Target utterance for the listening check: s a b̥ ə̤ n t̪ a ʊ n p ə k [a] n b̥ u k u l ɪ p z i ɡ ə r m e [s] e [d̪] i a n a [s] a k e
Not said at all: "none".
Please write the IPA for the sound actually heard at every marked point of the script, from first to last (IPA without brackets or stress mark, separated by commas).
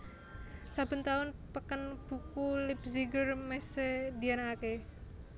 ə, s, d̪, none